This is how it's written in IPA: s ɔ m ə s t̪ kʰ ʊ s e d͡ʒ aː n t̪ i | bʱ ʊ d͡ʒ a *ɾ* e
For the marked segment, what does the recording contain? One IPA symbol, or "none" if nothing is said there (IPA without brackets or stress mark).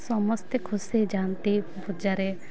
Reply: ɾ